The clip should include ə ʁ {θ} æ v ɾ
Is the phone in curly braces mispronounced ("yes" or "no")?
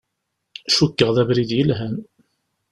yes